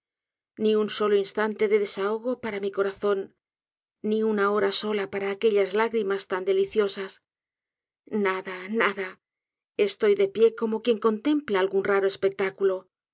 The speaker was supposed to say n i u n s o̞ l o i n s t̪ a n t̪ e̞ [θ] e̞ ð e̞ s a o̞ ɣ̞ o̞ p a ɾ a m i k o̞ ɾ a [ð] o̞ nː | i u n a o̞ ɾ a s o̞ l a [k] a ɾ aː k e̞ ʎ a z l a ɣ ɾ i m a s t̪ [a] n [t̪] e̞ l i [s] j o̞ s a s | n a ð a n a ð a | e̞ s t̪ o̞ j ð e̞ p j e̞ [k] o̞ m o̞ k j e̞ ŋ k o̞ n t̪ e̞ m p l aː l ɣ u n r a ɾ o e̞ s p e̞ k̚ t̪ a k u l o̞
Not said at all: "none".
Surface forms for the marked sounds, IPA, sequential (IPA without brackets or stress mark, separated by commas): ð, θ, p, a, d̪, θ, k